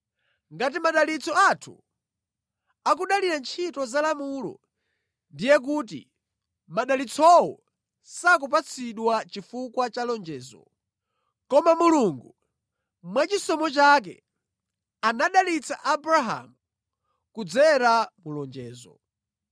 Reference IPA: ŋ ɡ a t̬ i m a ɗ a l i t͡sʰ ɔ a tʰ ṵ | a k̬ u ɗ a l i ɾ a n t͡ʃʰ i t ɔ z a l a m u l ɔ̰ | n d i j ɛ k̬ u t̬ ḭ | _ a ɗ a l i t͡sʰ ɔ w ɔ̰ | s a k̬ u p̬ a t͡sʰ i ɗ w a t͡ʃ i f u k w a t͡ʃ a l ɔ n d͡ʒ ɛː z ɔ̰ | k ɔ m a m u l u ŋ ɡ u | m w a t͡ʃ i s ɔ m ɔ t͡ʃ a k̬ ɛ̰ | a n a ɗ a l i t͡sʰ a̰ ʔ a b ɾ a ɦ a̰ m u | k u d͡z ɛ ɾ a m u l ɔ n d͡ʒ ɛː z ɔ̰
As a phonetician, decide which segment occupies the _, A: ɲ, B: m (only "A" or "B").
B